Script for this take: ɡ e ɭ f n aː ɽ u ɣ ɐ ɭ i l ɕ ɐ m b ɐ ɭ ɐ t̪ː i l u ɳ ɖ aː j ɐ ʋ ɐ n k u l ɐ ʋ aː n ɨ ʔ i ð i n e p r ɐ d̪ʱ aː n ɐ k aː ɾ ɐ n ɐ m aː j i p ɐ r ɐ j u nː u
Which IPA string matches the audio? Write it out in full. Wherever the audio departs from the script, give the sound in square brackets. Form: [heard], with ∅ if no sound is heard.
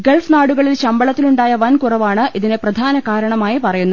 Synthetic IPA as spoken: ɡ e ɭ f n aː ɽ u ɣ ɐ ɭ i l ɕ ɐ m b ɐ ɭ ɐ t̪ː i l u ɳ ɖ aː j ɐ ʋ ɐ n k u [r] ɐ ʋ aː [ɳ] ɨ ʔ i ð i n e p r ɐ d̪ʱ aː n ɐ k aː ɾ ɐ [ɳ] ɐ m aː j i p ɐ r ɐ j u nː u